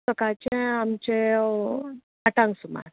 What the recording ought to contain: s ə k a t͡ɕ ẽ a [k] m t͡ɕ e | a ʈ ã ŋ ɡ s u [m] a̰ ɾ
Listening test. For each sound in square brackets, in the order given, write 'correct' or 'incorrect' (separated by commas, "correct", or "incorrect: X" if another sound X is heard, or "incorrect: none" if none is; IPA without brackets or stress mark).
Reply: incorrect: none, correct